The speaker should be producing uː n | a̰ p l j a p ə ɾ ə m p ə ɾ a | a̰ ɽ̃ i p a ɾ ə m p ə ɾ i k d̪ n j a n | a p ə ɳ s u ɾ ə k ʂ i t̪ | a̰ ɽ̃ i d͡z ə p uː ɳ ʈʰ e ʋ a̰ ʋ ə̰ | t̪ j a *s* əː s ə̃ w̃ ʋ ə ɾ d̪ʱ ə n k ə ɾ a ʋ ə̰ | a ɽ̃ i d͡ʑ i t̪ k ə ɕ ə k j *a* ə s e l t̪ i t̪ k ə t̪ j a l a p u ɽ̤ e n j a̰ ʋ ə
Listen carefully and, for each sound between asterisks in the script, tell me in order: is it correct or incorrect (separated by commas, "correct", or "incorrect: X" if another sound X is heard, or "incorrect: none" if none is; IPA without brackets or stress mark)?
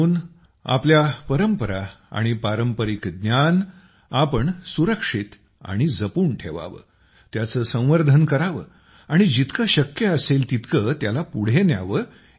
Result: incorrect: t͡s, incorrect: ə